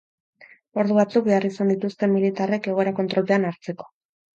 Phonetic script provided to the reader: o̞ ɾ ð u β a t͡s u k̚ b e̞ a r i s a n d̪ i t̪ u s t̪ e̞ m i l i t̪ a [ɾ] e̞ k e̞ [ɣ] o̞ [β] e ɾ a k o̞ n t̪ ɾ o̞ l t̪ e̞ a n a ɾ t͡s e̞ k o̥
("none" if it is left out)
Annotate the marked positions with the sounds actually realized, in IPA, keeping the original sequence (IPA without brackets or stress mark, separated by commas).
r, ɣ, none